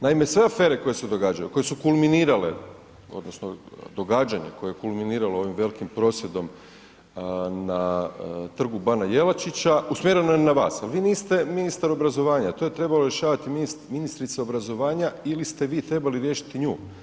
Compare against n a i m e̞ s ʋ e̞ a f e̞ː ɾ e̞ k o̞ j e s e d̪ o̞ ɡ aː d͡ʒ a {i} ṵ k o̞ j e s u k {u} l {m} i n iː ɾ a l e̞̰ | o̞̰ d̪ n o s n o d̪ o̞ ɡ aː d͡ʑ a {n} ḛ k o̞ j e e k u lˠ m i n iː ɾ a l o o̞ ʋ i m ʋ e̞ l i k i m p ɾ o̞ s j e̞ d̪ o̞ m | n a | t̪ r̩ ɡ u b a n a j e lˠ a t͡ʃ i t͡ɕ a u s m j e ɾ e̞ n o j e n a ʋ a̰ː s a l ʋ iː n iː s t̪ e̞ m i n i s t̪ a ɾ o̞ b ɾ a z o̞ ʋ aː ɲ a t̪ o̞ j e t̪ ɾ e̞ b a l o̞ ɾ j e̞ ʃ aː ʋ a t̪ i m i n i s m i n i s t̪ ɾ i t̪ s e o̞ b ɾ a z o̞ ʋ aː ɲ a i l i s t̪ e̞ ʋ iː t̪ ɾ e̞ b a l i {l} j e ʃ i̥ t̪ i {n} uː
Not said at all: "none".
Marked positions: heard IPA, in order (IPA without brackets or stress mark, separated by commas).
j, u, m, ɲ, ɾ, ɲ